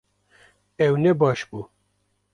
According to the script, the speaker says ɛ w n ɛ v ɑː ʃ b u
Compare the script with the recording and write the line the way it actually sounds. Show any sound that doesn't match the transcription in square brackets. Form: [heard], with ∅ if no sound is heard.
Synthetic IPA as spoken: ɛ w n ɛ [b] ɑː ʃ b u

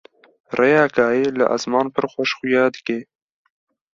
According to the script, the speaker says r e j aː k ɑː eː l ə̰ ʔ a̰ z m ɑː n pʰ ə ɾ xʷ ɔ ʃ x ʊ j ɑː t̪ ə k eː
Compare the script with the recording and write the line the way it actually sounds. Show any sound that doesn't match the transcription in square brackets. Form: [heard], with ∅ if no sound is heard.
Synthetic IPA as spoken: r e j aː k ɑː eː l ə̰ ʔ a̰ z m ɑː n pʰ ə ɾ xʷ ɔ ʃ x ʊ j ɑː [d̪] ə k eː

